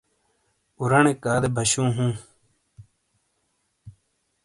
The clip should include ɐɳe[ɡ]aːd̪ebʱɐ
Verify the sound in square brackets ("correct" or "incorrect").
incorrect